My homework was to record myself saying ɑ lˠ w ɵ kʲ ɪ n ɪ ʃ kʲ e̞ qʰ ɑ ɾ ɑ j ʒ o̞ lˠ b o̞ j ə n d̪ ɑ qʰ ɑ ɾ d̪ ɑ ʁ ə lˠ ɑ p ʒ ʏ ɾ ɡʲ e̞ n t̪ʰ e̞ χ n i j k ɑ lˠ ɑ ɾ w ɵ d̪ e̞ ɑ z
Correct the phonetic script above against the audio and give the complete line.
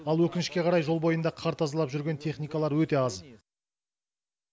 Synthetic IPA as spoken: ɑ lˠ w ɵ kʲ ɪ n ɪ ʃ kʲ e̞ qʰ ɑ ɾ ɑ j ʒ o̞ lˠ b o̞ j ə n d̪ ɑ qʰ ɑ ɾ t̪ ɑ z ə lˠ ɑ p ʒ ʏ ɾ ɡʲ e̞ n t̪ʰ e̞ χ n i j k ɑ lˠ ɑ ɾ w ɵ t̪ e̞ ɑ z